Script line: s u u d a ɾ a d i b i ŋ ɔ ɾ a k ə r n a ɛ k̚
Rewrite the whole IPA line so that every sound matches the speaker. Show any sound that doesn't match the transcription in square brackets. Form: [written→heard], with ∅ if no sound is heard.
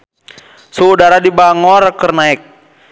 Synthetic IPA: s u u d a ɾ a d i b [i→a] ŋ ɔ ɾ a k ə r n a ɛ k̚